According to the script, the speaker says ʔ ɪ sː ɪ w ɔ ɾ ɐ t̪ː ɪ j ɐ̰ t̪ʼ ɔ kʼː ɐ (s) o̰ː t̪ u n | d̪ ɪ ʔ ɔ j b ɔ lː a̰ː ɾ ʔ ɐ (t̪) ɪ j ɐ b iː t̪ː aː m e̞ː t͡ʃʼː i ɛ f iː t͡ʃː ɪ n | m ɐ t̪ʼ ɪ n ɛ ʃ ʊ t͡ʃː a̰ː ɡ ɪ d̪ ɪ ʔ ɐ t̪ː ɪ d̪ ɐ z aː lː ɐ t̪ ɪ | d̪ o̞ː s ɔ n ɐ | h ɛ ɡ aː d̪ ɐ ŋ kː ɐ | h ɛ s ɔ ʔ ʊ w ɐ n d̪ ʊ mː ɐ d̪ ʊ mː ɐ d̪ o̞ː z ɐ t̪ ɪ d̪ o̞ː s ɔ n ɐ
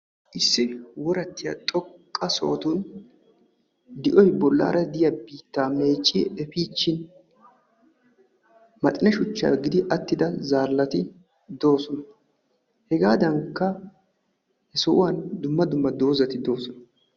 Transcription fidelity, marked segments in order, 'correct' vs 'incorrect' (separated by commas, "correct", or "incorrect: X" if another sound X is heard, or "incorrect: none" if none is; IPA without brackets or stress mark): correct, incorrect: d̪